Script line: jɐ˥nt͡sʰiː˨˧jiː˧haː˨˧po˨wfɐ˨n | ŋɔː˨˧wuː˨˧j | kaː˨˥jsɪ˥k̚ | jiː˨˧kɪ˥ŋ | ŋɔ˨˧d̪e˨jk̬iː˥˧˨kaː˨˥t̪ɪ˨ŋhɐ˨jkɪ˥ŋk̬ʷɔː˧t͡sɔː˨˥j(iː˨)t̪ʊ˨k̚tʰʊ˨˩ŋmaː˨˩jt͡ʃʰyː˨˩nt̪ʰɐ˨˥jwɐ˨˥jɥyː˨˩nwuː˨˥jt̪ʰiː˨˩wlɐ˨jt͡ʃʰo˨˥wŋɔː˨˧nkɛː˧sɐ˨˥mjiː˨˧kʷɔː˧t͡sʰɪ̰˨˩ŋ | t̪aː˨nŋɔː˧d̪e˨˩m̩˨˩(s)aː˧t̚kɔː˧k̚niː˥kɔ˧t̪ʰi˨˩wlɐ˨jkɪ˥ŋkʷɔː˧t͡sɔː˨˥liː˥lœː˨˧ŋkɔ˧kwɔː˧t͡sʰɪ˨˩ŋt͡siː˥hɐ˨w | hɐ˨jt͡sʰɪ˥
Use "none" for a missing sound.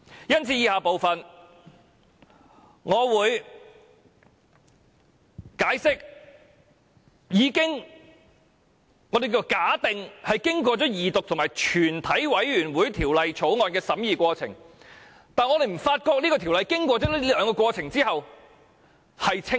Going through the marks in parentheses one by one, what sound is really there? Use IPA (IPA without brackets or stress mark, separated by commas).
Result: iː˨, f